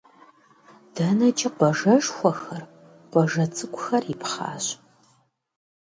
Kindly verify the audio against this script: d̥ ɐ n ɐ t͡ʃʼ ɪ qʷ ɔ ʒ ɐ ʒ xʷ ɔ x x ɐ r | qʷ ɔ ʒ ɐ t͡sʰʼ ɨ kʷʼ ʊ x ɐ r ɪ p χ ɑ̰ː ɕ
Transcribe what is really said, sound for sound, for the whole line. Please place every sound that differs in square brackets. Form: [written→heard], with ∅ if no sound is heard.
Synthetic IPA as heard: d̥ ɐ n ɐ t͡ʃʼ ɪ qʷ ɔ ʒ ɐ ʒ xʷ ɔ x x ɐ r | qʷ ɔ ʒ ɐ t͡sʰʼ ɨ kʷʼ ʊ x ɐ r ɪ p χ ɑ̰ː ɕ